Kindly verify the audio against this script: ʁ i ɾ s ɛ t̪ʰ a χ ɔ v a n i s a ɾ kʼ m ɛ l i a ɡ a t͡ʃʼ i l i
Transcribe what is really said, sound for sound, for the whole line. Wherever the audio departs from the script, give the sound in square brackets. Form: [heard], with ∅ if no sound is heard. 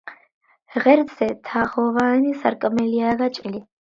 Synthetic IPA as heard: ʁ [ɛ] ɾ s ɛ t̪ʰ a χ ɔ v a n i s a ɾ kʼ m ɛ l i a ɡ a t͡ʃʼ i l i